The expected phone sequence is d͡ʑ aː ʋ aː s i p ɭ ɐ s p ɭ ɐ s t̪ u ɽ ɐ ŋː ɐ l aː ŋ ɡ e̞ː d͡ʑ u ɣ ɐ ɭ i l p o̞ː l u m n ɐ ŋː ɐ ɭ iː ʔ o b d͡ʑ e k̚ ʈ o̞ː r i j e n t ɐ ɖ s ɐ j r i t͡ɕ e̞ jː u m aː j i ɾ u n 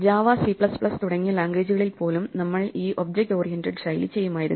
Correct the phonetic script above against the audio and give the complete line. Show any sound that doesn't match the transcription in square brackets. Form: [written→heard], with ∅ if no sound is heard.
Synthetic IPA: d͡ʑ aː ʋ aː s i p ɭ ɐ s p ɭ ɐ s t̪ u ɽ ɐ ŋː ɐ l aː ŋ ɡ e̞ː d͡ʑ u ɣ ɐ ɭ i l p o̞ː l u m n ɐ [ŋː→mː] ɐ ɭ iː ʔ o b d͡ʑ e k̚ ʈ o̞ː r i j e n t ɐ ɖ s ɐ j [r→l] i t͡ɕ e̞ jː u m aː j i ɾ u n